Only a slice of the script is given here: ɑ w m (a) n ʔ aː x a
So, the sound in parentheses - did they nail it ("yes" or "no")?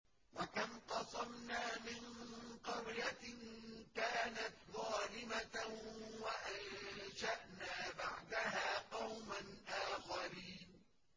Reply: yes